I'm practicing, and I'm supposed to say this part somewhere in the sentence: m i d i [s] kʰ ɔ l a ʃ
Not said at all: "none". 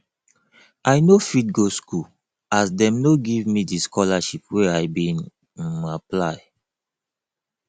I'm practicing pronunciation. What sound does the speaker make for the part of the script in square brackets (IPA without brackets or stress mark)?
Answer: s